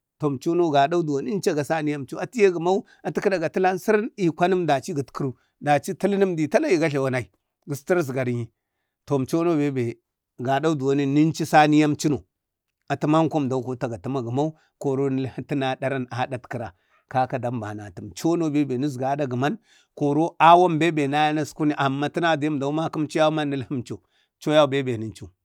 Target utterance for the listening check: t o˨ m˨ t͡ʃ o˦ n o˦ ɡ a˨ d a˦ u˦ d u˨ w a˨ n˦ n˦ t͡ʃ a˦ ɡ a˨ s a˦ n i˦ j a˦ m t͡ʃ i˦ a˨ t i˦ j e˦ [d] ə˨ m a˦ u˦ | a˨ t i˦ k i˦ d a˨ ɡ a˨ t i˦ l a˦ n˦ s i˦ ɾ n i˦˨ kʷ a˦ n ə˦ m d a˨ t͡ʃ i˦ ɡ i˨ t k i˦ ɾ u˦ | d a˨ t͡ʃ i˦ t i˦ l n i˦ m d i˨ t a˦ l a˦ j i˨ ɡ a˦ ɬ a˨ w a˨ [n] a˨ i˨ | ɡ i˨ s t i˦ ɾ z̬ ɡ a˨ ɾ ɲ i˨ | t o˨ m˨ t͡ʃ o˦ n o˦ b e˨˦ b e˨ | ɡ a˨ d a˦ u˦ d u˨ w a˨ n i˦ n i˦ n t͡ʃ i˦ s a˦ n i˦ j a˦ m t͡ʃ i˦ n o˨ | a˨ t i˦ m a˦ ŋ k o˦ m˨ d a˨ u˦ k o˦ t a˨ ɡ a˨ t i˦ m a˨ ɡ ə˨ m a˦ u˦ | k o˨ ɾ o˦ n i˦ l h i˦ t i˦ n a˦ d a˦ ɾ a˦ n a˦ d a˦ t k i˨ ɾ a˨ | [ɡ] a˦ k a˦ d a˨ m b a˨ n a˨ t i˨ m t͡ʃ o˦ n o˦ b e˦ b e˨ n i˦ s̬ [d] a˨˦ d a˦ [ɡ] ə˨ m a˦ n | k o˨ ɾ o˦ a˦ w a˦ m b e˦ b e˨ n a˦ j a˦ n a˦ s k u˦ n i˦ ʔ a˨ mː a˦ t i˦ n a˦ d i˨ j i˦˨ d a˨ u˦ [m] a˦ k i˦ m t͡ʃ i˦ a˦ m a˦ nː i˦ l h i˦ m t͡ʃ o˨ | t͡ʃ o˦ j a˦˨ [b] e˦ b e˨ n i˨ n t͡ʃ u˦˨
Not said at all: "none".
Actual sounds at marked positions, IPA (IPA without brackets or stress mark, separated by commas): ɡ, n, k, ɡ, ɡ, m, b